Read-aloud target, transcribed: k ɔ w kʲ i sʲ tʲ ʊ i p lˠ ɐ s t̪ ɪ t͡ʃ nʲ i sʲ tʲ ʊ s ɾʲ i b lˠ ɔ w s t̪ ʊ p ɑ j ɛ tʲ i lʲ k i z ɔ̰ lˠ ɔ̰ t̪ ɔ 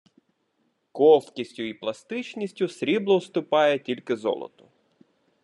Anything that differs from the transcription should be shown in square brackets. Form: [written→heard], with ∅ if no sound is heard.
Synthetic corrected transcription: k ɔ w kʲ i sʲ tʲ ʊ i p lˠ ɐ s t̪ ɪ t͡ʃ nʲ i sʲ tʲ ʊ s ɾʲ i b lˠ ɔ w s t̪ ʊ p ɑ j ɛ tʲ i lʲ k [i→ɪ] z ɔ̰ lˠ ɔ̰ t̪ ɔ